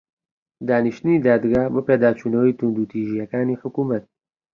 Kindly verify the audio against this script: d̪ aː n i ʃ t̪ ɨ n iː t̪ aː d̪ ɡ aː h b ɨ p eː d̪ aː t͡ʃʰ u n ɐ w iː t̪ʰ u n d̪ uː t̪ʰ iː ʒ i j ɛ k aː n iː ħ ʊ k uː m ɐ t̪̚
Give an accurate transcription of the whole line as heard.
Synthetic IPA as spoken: d̪ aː n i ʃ t̪ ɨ n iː d̪ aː d̪ ɡ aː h b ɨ p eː d̪ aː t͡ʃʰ u n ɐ w iː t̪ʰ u n d̪ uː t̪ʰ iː ʒ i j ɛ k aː n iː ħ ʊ k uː m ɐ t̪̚